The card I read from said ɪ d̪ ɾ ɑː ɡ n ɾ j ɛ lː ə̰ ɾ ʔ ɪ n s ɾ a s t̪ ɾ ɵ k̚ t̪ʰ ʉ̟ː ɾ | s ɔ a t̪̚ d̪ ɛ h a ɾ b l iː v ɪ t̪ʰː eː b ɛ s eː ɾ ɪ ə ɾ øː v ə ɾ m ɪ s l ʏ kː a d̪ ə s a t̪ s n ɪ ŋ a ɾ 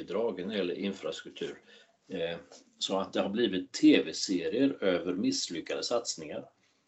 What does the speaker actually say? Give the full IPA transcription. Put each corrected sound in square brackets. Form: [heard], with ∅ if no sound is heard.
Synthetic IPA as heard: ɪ d̪ ɾ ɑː ɡ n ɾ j ɛ lː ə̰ ɾ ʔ ɪ n [f] ɾ a s t̪ ɾ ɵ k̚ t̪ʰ ʉ̟ː ɾ | s ɔ a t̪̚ d̪ ɛ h a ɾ b l iː v ɪ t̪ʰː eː [v] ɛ s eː ɾ ɪ ə ɾ øː v ə ɾ m ɪ s l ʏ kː a d̪ ə s a t̪ s n ɪ ŋ a ɾ